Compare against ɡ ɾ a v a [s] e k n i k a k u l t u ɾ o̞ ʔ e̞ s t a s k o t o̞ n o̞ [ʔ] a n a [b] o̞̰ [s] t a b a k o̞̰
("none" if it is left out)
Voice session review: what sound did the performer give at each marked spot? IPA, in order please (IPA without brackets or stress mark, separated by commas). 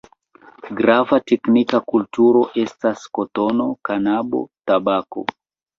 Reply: t, k, b, none